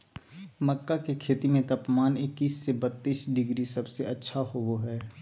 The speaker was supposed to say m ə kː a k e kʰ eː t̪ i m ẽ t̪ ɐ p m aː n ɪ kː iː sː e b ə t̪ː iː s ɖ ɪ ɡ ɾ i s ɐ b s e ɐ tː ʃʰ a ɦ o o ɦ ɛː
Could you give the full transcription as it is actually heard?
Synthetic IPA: m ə kː a k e kʰ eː t̪ i m ẽ t̪ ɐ p m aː n ɪ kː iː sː e b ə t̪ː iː s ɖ ɪ ɡ ɾ i s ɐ b s e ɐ tː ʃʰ a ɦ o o ɦ ɛː